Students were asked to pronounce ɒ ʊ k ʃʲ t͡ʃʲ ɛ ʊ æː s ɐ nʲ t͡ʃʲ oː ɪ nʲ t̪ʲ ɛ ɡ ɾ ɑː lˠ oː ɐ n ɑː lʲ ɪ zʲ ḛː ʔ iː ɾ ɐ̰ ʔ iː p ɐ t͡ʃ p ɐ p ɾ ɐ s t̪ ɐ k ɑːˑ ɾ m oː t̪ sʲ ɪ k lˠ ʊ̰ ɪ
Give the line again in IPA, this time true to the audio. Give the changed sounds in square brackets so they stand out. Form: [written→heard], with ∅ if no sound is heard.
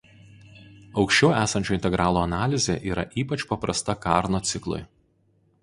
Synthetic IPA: ɒ ʊ k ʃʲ t͡ʃʲ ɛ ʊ æː s ɐ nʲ t͡ʃʲ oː ɪ nʲ t̪ʲ ɛ ɡ ɾ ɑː lˠ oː ɐ n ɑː lʲ ɪ zʲ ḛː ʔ iː ɾ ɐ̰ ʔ iː p ɐ t͡ʃ p ɐ p ɾ ɐ s t̪ ɐ k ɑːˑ ɾ [m→n] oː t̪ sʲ ɪ k lˠ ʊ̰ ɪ